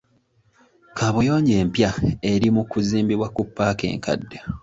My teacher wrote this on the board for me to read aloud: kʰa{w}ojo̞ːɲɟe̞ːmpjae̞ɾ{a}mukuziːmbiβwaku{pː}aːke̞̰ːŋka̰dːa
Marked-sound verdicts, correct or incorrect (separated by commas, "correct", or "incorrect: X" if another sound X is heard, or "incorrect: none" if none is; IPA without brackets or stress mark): incorrect: β, incorrect: i, correct